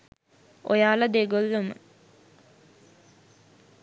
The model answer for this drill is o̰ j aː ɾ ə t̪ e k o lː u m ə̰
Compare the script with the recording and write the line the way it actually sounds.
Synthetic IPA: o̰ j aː l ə d̪ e ɡ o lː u m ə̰